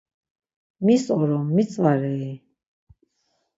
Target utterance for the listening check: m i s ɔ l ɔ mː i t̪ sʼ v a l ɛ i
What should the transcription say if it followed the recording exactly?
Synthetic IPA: m i s ɔ ɾ ɔ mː i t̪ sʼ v a ɾ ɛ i

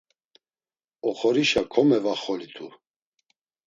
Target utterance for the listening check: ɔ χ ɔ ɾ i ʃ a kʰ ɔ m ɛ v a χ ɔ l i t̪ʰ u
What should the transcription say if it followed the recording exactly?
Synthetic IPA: ɔ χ ɔ ɾ i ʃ a kʰ ɔ m ɛ v a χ ɔ l i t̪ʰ u

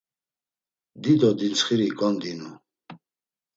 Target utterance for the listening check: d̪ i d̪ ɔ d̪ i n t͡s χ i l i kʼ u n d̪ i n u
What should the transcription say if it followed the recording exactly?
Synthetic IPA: d̪ i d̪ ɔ d̪ i n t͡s χ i ɾ i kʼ ɔ n d̪ i n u

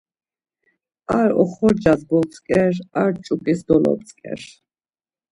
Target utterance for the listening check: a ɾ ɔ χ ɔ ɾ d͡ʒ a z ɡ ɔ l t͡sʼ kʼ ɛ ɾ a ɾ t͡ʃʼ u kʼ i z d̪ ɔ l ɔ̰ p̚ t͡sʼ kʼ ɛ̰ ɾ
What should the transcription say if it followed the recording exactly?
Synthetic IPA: a ɾ ɔ χ ɔ ɾ d͡ʒ a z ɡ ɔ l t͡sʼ kʼ ɛ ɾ a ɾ t͡ʃʼ u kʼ i s d̪ ɔ l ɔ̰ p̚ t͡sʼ kʼ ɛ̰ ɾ

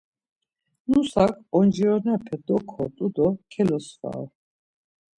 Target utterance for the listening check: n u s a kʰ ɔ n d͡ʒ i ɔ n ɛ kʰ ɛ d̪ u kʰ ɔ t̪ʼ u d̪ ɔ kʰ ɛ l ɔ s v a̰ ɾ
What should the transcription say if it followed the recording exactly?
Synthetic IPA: n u s a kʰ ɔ n d͡ʒ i ɔ n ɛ pʰ ɛ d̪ ɔ kʰ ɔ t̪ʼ u d̪ ɔ kʰ ɛ l ɔ s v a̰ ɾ

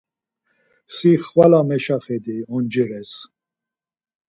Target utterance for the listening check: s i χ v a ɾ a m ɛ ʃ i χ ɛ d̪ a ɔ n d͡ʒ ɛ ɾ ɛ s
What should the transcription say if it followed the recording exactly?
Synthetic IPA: s i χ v a l a m ɛ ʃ a χ ɛ d̪ i ɔ n d͡ʒ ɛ ɾ ɛ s

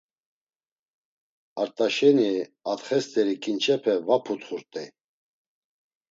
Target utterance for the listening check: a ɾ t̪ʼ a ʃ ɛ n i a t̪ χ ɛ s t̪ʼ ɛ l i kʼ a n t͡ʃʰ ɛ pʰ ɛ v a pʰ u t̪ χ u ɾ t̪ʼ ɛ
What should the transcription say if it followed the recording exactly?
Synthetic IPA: a ɾ t̪ʼ a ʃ ɛ n i a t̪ χ ɛ s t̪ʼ ɛ ɾ i kʼ i n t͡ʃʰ ɛ pʰ ɛ v a pʰ u t̪ χ u ɾ t̪ʼ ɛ

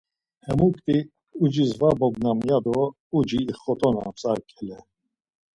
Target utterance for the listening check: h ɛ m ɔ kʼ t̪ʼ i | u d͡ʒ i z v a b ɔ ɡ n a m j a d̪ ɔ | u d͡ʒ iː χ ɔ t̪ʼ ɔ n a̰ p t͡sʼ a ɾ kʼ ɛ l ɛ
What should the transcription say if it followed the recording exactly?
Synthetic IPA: h ɛ m u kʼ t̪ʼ i | u d͡ʒ i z v a b ɔ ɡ n a m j a d̪ ɔ | u d͡ʒ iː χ ɔ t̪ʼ ɔ n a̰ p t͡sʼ a ɾ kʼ ɛ l ɛ

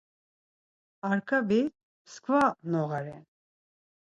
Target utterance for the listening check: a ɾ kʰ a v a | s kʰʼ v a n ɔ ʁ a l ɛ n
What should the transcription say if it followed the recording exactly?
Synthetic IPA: a ɾ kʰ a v i | s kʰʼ v a n ɔ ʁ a ɾ ɛ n

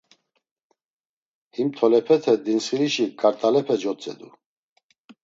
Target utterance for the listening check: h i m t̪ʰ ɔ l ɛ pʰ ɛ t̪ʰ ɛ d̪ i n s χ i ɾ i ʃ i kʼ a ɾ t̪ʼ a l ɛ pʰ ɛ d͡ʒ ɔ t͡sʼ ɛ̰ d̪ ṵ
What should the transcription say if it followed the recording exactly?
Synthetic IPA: h i m t̪ʰ ɔ l ɛ pʰ ɛ t̪ʰ ɛ d̪ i n s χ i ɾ i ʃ i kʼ a ɾ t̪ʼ a l ɛ pʰ ɛ d͡ʒ ɔ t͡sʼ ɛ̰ d̪ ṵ

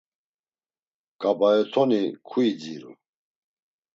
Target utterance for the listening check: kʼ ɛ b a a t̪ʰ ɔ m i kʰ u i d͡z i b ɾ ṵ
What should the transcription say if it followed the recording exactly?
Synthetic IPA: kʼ a b a ɛ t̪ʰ ɔ n i kʰ u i d͡z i ɾ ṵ

